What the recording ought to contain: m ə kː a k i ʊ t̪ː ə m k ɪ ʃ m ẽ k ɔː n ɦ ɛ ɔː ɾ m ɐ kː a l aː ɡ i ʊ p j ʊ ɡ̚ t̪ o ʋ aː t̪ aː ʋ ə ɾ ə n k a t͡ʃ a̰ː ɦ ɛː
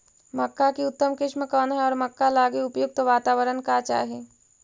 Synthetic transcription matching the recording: m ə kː a k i ʊ t̪ː ə m k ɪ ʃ m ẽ k ɔː n ɦ ɛ ɔː ɾ m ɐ kː a l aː ɡ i ʊ p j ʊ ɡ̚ t̪ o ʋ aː t̪ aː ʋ ə ɾ ə n k a t͡ʃ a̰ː ɦ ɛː